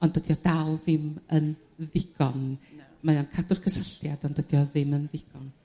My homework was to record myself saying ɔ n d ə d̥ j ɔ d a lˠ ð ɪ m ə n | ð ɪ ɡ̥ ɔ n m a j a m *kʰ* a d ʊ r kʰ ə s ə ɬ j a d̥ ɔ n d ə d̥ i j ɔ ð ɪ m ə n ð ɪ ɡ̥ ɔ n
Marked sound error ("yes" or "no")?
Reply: no